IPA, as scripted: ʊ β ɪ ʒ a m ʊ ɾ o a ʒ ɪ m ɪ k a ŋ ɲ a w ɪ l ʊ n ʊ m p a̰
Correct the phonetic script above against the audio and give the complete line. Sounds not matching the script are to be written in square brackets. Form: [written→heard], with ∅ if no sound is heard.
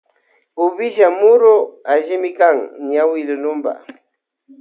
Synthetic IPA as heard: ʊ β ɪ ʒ a m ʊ ɾ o a ʒ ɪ m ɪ k a ŋ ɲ a w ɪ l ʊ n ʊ m [p→b] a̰